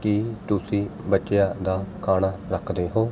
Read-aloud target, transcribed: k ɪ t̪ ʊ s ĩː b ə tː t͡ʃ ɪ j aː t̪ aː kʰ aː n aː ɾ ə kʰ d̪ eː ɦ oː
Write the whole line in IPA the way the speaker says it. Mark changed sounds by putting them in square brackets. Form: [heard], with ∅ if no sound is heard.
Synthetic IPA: k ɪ t̪ ʊ s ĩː b ə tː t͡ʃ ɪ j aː [d̪] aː kʰ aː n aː ɾ ə kʰ d̪ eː ɦ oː